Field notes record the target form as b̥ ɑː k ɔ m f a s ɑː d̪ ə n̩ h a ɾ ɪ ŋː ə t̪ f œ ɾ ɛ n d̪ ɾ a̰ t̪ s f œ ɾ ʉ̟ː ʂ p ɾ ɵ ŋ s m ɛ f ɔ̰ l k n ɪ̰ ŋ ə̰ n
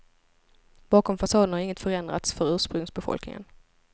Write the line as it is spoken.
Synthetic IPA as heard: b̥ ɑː k ɔ m f a s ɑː d̪ ə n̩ h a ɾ ɪ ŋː ə t̪ f œ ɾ ɛ n d̪ ɾ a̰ t̪ s f œ ɾ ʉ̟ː ʂ p ɾ ɵ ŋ s b ɛ f ɔ̰ l k n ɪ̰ ŋ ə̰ n